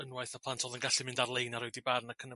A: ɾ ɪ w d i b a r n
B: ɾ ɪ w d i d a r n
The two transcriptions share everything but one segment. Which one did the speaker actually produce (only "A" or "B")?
A